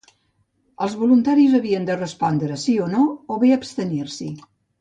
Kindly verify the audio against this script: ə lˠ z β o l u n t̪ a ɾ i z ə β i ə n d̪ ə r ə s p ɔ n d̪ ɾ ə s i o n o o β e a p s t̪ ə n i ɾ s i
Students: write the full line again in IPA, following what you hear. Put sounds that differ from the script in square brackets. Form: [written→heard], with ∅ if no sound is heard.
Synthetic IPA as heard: ə lˠ z β [o→u] l u n t̪ a ɾ i z ə β i ə n d̪ ə r ə s p ɔ n d̪ ɾ ə s i o n o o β e [a→ə] p s t̪ ə n i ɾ s i